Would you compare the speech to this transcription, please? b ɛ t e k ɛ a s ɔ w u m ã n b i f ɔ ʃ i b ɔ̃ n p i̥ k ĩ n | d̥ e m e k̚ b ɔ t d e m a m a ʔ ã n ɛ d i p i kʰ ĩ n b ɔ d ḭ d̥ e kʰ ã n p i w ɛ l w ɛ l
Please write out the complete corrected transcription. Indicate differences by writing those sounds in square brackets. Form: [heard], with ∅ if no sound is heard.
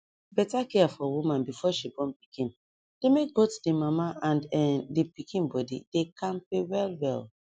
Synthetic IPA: b ɛ t [a] k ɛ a [f] ɔ w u m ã n b i f ɔ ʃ i b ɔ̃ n p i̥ k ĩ n | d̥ e m e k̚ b [o] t d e m a m a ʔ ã n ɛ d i p i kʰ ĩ n b ɔ d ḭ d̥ e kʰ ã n p [e] w ɛ l w ɛ l